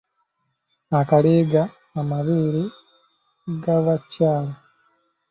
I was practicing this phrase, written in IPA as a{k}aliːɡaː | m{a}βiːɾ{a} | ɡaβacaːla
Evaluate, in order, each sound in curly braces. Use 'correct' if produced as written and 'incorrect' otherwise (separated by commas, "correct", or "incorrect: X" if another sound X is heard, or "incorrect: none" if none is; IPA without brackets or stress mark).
correct, correct, incorrect: i